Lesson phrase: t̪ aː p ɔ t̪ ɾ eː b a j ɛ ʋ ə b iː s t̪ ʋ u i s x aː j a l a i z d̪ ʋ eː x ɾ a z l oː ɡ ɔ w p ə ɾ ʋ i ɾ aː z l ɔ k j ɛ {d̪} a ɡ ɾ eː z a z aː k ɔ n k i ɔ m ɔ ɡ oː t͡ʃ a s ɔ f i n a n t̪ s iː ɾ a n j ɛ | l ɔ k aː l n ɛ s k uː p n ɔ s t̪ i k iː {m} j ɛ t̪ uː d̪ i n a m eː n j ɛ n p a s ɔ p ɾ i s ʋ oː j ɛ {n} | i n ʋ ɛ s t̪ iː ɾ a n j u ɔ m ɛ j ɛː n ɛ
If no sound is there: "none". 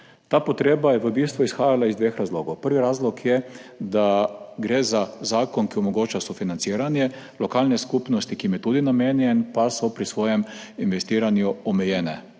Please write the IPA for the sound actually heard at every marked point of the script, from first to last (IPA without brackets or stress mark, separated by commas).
d̪, m, m